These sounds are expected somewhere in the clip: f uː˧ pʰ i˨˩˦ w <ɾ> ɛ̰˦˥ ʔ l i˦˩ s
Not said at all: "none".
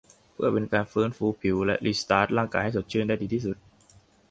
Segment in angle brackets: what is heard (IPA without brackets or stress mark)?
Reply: l